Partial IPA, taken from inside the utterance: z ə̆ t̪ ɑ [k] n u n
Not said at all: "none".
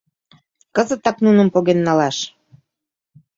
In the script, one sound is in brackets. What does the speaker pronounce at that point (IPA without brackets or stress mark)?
k